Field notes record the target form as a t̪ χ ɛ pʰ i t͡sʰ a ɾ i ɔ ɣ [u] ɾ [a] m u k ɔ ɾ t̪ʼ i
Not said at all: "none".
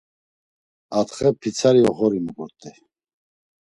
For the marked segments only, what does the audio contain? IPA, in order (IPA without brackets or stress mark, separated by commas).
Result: ɔ, i